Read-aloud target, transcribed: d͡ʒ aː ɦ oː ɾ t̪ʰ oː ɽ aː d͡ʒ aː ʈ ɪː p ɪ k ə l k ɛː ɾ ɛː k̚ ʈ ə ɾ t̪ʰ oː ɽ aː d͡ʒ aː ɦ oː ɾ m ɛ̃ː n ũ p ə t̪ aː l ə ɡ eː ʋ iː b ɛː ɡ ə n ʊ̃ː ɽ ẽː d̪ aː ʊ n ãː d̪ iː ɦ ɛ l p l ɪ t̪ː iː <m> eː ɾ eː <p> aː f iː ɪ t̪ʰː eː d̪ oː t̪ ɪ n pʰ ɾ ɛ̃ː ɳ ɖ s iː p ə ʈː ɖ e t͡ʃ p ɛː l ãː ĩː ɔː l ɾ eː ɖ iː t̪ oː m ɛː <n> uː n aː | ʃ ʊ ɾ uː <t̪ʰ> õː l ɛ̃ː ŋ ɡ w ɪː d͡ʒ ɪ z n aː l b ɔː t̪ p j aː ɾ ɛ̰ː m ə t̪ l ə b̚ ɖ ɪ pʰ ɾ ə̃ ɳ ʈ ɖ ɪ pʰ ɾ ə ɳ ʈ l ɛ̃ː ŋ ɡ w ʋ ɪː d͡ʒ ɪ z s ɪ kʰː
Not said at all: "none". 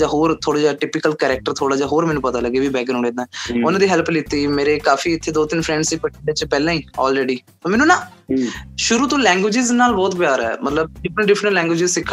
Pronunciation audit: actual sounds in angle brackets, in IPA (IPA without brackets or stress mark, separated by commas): m, k, n, t̪